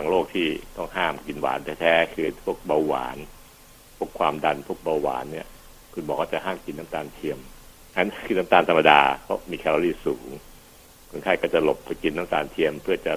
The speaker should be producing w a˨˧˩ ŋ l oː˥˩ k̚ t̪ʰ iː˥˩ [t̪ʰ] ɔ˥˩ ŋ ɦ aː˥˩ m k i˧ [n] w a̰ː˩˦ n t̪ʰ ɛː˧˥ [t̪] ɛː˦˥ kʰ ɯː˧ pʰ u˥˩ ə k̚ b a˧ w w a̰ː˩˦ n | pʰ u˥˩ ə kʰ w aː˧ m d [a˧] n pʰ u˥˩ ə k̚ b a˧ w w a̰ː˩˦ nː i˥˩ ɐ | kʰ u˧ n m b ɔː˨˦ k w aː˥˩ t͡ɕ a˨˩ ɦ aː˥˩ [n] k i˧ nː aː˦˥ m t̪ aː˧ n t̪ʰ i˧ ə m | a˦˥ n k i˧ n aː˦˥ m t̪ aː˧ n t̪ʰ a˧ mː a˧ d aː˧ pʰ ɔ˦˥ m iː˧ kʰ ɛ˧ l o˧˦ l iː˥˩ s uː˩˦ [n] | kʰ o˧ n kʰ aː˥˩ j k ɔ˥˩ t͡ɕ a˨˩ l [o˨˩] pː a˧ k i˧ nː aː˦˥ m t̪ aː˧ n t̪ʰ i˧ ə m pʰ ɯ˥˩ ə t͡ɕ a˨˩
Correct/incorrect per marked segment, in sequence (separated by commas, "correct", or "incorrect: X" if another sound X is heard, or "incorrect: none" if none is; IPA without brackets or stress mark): incorrect: t̪, correct, incorrect: t̪ʰ, correct, incorrect: m, incorrect: ŋ, correct